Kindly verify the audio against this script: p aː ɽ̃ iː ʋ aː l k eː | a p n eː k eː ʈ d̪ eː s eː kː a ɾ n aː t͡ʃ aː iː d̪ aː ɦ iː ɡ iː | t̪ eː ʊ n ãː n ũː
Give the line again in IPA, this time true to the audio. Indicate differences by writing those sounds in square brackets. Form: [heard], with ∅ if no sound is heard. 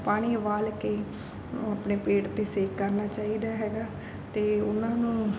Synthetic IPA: p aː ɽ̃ iː ʋ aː l k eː | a p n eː [p] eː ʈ [t̪] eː s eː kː [ə] ɾ n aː t͡ʃ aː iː d̪ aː ɦ [ɛː] ɡ [aː] | t̪ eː ʊ n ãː n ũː